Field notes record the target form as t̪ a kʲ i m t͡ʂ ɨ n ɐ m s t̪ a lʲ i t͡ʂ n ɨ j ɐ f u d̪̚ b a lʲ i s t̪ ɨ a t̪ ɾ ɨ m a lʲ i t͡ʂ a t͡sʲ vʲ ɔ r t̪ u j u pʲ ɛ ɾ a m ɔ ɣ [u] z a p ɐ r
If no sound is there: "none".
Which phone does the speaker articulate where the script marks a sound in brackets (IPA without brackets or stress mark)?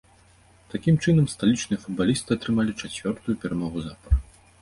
u